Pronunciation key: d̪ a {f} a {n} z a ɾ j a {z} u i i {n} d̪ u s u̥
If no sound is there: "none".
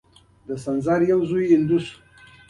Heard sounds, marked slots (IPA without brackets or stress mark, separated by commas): s, n, z, n